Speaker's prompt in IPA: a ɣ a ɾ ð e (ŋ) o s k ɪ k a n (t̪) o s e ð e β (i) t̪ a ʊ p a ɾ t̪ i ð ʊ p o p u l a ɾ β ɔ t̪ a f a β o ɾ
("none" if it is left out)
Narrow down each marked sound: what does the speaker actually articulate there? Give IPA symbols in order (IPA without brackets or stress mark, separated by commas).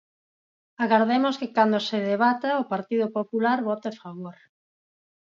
m, d̪, a